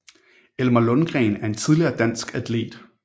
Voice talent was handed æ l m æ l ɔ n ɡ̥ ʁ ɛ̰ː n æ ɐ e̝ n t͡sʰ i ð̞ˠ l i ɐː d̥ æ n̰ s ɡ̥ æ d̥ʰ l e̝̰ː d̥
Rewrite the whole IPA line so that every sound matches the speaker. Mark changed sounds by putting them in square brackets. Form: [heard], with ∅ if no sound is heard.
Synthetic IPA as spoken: [e] l m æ l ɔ n ɡ̥ ʁ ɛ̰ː n æ ɐ e̝ n t͡sʰ i ð̞ˠ l i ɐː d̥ æ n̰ s ɡ̥ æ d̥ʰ l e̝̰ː d̥